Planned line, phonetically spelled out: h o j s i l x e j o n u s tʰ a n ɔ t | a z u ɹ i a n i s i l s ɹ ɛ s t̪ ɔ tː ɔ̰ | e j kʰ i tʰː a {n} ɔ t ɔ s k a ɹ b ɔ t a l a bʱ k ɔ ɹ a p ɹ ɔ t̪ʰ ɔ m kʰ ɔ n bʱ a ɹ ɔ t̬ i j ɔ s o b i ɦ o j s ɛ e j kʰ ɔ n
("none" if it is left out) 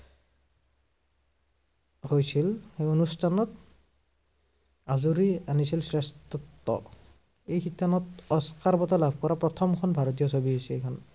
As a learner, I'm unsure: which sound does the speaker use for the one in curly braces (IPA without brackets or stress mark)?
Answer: n